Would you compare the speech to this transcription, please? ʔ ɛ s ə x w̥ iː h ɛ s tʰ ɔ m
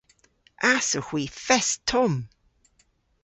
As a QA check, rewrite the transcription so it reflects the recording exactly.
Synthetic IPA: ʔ a s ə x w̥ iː f ɛ s tʰ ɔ m